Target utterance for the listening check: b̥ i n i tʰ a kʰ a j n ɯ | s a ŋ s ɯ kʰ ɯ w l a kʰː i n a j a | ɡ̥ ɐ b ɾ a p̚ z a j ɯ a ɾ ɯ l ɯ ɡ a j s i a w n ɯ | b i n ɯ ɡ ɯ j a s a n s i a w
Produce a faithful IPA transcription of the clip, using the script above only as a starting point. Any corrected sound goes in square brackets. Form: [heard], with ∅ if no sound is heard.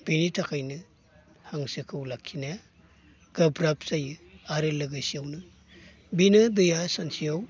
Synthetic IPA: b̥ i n i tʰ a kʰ a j n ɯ | [h] a ŋ s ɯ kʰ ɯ w l a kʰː i n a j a | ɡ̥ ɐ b ɾ a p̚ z a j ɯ a ɾ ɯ l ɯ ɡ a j s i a w n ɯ | b i n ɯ [d] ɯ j a s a n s i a w